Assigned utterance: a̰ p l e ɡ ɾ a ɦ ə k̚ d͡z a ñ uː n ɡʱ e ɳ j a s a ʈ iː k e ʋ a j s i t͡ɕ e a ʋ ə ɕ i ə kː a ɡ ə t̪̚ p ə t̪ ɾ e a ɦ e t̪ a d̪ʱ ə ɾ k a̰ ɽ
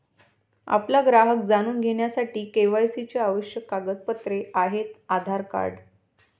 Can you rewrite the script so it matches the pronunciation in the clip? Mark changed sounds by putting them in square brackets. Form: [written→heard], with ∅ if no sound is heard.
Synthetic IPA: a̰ p l [e→a] ɡ ɾ a ɦ ə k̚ d͡z a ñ uː n ɡʱ e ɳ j a s a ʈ iː k e ʋ a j s i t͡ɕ e a ʋ ə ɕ [i→j] ə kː a ɡ ə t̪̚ p ə t̪ ɾ e a ɦ e t̪ a d̪ʱ [ə→a] ɾ k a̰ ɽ